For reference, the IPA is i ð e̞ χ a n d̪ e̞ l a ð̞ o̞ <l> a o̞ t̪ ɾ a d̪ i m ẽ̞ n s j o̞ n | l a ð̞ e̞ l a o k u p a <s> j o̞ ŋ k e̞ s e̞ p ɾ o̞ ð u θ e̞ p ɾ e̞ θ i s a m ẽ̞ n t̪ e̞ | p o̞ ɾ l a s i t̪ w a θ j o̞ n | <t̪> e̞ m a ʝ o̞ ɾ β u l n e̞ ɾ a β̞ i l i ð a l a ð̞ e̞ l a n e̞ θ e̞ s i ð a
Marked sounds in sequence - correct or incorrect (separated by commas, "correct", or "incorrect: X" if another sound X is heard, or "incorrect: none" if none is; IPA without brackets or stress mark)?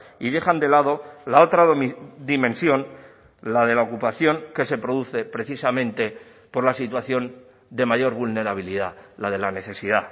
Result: correct, incorrect: θ, incorrect: d̪